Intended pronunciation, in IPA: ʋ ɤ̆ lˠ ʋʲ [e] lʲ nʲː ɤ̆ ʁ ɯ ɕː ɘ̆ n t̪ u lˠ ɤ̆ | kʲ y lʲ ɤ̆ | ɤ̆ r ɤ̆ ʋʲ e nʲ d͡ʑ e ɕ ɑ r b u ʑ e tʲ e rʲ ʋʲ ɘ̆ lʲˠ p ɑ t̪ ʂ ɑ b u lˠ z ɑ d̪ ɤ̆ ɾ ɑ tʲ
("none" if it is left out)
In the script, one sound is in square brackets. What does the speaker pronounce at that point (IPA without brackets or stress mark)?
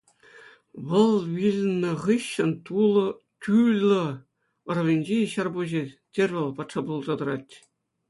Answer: i